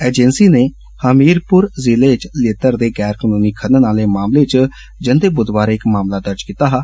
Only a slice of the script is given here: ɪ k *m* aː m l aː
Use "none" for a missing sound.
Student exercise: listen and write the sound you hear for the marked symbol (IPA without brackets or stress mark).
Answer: m